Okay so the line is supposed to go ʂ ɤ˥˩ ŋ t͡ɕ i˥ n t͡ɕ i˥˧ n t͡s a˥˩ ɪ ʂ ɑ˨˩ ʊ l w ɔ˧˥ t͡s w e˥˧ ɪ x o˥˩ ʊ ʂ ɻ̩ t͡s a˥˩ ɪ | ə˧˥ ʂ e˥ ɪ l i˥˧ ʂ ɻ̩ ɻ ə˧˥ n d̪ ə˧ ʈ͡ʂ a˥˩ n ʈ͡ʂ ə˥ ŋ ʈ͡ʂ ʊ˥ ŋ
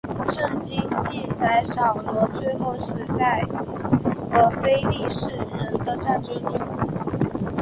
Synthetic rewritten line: ʂ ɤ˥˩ ŋ t͡ɕ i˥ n t͡ɕ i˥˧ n t͡s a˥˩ ɪ ʂ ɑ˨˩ ʊ l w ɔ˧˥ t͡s w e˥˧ ɪ x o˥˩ ʊ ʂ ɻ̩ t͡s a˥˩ ɪ | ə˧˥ f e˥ ɪ l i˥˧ ʂ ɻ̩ ɻ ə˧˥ n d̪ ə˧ ʈ͡ʂ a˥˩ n ʈ͡ʂ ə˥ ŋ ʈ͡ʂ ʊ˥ ŋ